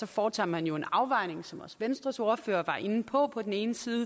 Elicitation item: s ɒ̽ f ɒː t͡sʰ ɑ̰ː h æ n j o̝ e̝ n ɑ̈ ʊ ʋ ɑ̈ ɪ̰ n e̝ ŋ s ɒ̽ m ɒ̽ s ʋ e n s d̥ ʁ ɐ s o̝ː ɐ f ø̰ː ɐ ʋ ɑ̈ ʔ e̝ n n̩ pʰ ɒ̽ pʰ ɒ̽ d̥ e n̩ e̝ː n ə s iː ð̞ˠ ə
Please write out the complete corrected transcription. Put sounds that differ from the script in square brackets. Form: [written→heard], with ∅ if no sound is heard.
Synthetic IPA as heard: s ɒ̽ f ɒː t͡sʰ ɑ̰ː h æ n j o̝ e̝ n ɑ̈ ʊ ʋ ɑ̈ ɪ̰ n e̝ ŋ s ɒ̽ m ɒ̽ s ʋ e n s d̥ ʁ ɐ s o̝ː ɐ f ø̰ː ɐ ʋ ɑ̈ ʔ e̝ n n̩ pʰ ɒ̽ pʰ ɒ̽ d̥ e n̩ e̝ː n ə s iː ð̞ˠ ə